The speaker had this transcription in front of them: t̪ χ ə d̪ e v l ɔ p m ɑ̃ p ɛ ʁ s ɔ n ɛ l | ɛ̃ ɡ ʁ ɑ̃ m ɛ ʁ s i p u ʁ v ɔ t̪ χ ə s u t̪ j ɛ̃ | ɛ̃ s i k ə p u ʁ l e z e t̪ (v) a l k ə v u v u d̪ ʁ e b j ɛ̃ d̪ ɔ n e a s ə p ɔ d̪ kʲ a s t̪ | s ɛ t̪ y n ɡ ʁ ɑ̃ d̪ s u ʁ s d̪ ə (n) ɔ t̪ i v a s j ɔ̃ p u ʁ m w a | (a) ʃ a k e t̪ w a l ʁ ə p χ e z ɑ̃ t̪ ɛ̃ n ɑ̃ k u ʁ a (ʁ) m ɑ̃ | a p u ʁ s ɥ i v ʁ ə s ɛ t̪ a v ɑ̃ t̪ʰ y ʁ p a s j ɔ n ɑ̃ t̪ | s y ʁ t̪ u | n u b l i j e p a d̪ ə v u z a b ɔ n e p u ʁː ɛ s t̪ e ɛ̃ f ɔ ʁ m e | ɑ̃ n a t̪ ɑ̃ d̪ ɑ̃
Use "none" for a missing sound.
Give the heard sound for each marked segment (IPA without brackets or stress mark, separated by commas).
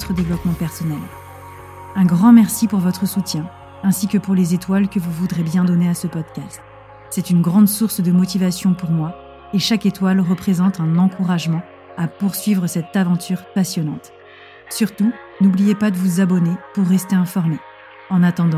w, m, e, ʒ